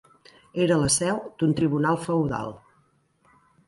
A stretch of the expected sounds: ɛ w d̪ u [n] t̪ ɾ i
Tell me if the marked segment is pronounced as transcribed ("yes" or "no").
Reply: yes